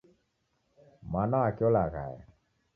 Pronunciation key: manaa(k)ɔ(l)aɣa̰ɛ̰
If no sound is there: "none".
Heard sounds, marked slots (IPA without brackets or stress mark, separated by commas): k, l